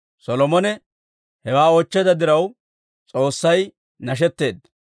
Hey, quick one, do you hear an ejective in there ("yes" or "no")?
yes